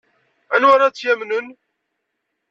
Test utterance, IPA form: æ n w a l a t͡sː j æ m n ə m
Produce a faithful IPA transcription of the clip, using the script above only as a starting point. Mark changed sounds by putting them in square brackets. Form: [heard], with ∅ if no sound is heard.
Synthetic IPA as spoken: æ n w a [ɾ] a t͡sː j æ m n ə [n]